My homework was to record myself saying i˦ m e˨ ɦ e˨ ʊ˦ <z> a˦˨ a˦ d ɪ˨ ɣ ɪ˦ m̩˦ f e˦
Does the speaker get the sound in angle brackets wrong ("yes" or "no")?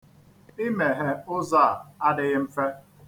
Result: no